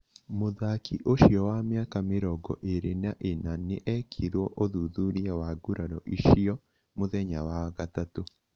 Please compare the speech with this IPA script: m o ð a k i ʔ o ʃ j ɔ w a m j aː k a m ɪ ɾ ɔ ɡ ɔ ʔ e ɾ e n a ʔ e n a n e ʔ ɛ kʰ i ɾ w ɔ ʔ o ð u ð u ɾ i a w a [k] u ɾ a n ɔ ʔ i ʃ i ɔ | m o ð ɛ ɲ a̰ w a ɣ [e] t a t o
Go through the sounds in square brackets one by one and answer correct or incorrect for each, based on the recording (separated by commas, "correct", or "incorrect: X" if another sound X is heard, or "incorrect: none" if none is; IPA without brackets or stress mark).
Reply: incorrect: ɡ, incorrect: a